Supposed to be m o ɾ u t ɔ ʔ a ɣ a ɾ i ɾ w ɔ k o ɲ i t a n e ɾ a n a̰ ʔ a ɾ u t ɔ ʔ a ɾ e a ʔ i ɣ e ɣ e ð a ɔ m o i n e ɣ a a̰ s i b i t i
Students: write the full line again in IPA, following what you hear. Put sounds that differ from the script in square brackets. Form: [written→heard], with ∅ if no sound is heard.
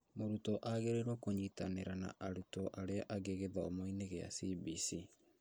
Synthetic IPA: m o ɾ u t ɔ ʔ a ɣ [a→e] ɾ [i→e] ɾ w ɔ k o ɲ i t a n e ɾ a n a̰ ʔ a ɾ u t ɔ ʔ a ɾ e a ʔ [i→a] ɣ e ɣ e ð a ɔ m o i n e ɣ [a→e] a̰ s i b i [t→s] i